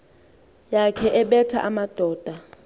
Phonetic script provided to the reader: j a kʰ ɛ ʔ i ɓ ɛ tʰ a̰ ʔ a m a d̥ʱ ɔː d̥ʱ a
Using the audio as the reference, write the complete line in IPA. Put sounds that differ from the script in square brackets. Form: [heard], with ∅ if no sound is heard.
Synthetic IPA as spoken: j a kʰ ɛ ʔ [ɛ] ɓ ɛ tʰ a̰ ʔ a m a d̥ʱ ɔː d̥ʱ a